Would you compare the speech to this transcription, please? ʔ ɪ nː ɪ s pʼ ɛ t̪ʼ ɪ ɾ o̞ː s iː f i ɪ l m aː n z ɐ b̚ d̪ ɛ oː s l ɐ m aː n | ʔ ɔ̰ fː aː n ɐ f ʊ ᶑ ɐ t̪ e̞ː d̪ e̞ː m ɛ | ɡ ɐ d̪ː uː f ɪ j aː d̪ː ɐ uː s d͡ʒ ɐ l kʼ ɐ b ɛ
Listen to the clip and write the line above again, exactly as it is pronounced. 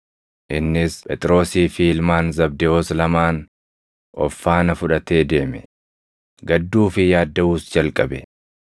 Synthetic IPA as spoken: ʔ ɪ nː ɪ s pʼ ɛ t̪ʼ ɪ ɾ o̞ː s iː f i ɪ l m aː n z ɐ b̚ d̪ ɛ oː s l ɐ m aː n | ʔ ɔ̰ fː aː n ɐ f ʊ ᶑ ɐ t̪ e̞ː d̪ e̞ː m ɛ | ɡ ɐ d̪ː uː f ɪ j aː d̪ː ɐ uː s d͡ʒ ɐ l kʼ ɐ b ɛ